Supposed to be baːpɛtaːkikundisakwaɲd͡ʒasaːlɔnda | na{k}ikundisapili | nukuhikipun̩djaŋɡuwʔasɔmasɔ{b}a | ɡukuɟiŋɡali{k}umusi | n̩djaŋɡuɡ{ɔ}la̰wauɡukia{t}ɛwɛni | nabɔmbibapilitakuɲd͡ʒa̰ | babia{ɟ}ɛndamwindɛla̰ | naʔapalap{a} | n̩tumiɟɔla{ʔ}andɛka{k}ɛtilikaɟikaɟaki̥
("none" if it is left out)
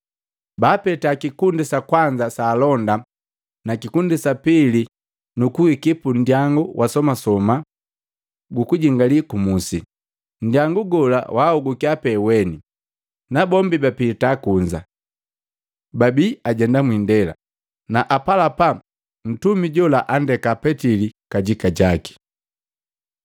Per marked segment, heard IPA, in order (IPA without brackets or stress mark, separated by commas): k, m, k, ɔ, p, ɟ, a, ʔ, p